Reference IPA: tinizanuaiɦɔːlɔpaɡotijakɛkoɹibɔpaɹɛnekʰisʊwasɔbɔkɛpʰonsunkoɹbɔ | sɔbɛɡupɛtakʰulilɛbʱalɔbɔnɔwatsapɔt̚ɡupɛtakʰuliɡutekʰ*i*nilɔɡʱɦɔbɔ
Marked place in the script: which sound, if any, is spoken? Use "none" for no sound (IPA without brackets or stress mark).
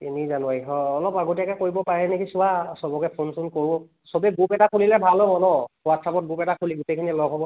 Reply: i